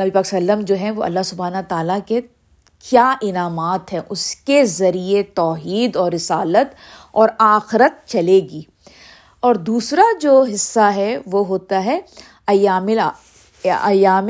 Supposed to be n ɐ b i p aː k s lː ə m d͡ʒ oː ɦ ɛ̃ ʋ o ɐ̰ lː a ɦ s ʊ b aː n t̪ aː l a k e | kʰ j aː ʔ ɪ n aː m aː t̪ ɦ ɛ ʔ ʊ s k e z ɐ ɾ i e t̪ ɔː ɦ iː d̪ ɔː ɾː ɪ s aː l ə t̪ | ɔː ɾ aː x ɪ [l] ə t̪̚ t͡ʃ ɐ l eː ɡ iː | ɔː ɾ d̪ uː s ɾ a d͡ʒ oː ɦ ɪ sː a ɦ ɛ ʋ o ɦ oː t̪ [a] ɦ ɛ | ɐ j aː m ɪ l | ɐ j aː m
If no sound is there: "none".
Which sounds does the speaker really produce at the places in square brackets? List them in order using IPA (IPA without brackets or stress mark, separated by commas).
ɾ, a